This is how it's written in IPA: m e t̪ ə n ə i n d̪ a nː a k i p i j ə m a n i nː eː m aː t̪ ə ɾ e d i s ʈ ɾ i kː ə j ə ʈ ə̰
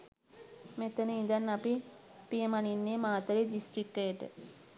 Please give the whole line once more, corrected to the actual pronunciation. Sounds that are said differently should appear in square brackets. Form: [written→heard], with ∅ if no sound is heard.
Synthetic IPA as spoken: m e t̪ ə n ə i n d̪ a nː a [k→p] i p i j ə m a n i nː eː m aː t̪ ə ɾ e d i s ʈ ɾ i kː ə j ə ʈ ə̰

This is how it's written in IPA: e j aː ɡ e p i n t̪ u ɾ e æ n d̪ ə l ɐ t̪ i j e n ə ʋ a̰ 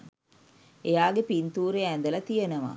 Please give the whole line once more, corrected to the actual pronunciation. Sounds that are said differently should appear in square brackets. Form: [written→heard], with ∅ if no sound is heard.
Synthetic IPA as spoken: e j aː ɡ e p i n t̪ [u→uː] ɾ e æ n d̪ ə l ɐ t̪ i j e n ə ʋ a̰

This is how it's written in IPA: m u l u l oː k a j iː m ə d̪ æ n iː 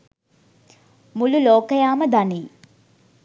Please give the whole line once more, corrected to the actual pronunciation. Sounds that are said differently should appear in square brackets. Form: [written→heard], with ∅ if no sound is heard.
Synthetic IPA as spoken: m u l u l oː k [a→ə] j [iː→aː] m ə d̪ [æ→a] n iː

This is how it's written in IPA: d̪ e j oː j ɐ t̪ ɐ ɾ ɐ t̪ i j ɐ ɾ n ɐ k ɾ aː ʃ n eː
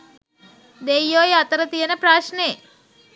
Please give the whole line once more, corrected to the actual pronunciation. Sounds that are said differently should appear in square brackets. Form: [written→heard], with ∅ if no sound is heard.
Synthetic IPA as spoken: d̪ e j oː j ɐ t̪ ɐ ɾ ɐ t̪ i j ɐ [ɾ→∅] n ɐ [k→p] ɾ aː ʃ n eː

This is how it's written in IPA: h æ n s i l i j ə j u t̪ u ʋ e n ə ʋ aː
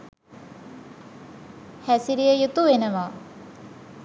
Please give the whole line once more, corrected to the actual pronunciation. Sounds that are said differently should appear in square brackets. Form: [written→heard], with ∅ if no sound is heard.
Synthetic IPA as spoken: h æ [n→∅] s i [l→ɾ] i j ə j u t̪ u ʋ e n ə ʋ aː

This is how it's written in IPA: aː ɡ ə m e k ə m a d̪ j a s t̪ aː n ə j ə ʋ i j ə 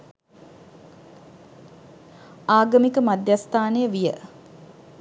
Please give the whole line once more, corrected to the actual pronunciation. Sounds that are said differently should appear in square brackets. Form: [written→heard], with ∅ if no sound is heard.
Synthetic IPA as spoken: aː ɡ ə m [e→i] k ə m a d̪ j a s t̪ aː n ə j ə ʋ i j ə

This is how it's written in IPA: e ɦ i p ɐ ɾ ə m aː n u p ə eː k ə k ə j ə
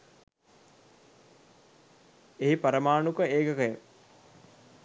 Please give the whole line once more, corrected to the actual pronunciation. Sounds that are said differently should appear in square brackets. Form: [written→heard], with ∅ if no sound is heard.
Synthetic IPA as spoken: e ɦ i p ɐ ɾ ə m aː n u [p→k] ə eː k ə k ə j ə

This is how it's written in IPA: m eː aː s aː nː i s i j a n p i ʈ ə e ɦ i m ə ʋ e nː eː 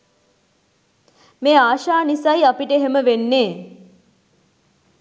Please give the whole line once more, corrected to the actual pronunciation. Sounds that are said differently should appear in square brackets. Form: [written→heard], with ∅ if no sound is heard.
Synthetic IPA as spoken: m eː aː [s→ʃ] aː [nː→n] i s [i→a] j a [n→∅] p i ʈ ə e ɦ [i→e] m ə ʋ e nː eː

